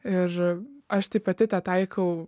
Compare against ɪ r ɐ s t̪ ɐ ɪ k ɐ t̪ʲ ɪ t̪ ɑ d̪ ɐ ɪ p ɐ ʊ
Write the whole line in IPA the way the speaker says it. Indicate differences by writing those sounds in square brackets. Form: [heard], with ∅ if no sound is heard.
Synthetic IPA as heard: ɪ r ɐ [ʃ] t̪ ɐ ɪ [p] ɐ t̪ʲ ɪ t̪ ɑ [t̪] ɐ ɪ [k] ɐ ʊ